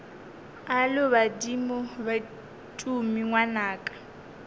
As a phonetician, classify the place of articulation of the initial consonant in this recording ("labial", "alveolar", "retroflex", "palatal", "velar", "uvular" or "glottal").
alveolar